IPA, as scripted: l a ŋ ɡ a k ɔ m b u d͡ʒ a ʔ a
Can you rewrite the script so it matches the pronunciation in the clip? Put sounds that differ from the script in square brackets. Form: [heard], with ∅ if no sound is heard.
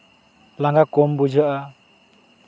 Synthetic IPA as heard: l a ŋ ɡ a k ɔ m b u d͡ʒ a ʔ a